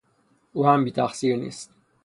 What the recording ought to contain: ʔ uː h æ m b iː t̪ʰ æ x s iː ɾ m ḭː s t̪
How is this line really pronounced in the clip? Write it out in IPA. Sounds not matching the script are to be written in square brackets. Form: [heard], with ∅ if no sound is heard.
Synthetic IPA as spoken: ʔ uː h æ m b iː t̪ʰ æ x s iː ɾ [n] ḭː s t̪